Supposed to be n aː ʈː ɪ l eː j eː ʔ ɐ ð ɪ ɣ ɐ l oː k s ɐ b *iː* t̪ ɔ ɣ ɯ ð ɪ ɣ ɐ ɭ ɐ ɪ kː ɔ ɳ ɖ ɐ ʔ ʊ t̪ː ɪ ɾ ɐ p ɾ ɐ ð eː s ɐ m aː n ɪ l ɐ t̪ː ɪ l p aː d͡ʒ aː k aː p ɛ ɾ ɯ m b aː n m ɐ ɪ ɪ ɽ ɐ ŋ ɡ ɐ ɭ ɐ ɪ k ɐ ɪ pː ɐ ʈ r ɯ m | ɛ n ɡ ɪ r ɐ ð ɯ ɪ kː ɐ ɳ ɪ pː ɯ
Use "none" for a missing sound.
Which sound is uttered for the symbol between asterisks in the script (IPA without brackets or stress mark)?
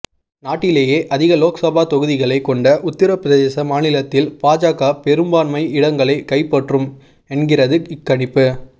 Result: aː